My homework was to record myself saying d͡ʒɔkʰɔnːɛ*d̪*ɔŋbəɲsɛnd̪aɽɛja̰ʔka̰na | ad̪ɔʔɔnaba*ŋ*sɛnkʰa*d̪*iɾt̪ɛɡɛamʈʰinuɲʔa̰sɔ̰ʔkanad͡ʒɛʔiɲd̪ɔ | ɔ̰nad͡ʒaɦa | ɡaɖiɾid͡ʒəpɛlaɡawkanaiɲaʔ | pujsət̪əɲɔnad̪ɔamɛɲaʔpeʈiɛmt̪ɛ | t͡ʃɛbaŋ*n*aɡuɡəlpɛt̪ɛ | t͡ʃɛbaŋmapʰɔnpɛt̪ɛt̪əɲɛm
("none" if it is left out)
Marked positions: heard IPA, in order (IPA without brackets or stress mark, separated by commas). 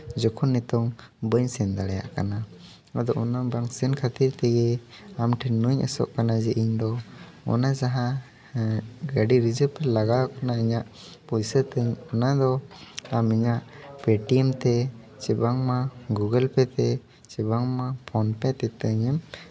t̪, ŋ, t̪, m